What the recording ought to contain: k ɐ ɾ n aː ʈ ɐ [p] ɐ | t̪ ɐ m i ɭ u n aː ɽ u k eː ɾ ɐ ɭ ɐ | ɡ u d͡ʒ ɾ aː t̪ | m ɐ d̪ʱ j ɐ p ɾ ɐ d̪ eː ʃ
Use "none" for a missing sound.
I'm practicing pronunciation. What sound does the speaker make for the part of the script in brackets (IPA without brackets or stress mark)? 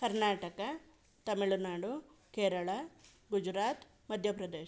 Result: k